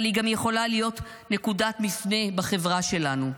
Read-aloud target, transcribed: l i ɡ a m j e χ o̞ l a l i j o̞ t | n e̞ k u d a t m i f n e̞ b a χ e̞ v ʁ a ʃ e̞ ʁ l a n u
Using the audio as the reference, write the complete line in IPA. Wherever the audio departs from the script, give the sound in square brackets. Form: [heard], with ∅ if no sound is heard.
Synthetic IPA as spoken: l i ɡ a m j e χ o̞ l a l i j o̞ t | n e̞ k u d a t m i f n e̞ b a χ e̞ v ʁ a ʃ e̞ [∅] l a n u